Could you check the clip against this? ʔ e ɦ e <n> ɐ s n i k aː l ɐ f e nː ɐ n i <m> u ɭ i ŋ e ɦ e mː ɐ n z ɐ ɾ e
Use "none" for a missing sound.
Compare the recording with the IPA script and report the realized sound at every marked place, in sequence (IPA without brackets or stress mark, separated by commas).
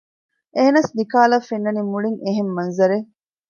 n, m